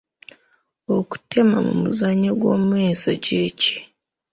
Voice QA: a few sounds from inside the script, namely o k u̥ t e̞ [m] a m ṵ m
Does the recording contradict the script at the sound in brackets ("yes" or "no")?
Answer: no